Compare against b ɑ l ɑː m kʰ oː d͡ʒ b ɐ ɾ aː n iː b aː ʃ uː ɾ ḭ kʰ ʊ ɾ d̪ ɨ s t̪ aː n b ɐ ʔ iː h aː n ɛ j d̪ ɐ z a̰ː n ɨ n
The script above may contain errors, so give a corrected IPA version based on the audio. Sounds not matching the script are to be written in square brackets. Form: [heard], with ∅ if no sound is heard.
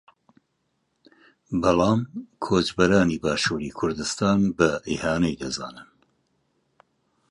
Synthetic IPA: b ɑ l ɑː m kʰ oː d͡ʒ b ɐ ɾ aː n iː b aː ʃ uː ɾ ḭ kʰ ʊ ɾ d̪ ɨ s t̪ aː n b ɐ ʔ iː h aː n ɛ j d̪ ɐ z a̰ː n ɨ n